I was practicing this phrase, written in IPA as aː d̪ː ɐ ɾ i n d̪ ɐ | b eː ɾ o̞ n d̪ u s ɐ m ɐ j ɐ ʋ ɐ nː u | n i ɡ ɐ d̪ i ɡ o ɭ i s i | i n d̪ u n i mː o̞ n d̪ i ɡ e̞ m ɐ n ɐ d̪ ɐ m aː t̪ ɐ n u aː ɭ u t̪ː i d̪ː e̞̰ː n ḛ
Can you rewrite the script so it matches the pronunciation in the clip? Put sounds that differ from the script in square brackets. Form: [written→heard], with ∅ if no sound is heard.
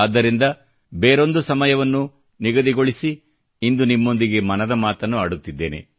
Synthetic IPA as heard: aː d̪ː ɐ ɾ i n d̪ ɐ | b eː ɾ o̞ n d̪ u s ɐ m ɐ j ɐ ʋ ɐ nː u | n i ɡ ɐ d̪ i ɡ o ɭ i s i | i n d̪ u n i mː o̞ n d̪ i ɡ e̞ m ɐ n ɐ d̪ ɐ m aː t̪ ɐ [n→nː] u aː [ɭ→ɽ] u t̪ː i d̪ː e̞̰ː n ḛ